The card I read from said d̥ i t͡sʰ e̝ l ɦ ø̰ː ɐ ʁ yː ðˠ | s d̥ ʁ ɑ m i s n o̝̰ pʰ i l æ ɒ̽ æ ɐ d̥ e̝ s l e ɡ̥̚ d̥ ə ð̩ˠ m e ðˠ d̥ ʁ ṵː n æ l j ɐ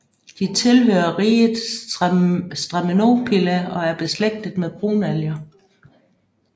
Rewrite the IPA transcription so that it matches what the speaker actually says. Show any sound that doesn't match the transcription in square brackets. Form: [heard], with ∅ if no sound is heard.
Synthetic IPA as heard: d̥ i t͡sʰ e̝ l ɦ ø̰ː ɐ ʁ [iː] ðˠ | s d̥ ʁ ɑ m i [∅] n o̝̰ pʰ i l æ ɒ̽ æ ɐ [b̥] e̝ s l e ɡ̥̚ d̥ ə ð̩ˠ m e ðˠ [b̥] ʁ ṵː n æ l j ɐ